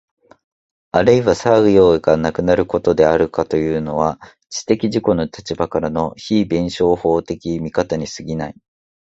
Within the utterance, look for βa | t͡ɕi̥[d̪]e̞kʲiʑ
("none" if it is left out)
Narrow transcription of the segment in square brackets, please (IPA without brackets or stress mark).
t̪